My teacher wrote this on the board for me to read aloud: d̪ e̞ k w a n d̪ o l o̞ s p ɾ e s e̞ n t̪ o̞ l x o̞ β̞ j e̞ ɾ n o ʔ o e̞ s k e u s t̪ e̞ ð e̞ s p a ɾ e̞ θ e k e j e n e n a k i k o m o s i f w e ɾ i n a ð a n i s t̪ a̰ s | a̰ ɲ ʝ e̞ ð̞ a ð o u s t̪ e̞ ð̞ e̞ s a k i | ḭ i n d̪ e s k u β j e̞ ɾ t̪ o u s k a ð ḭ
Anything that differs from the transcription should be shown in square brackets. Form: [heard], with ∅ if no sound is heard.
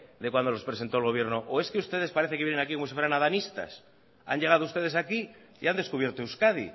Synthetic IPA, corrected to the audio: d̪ e̞ k w a n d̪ o l o̞ s p ɾ e s e̞ n t̪ o̞ l [ɣ] o̞ β̞ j e̞ ɾ n o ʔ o e̞ s k e u s t̪ e̞ ð e̞ s p a ɾ e̞ θ e k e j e n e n a k i k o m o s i f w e ɾ [a] n a ð a n i s t̪ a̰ s | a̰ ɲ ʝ e̞ [ɣ̞] a ð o u s t̪ e̞ ð̞ e̞ s a k i | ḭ [a] n d̪ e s k u β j e̞ ɾ t̪ o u s k a ð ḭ